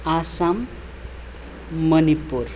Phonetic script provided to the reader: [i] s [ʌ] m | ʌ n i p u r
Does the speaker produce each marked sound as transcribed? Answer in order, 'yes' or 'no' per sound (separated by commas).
no, no